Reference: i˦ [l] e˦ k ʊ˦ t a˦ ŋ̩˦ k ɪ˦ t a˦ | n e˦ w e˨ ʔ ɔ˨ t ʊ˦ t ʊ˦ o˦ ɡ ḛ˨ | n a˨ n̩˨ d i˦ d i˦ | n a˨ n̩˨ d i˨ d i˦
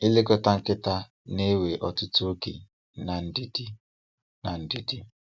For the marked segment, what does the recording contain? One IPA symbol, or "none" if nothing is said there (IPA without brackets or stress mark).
l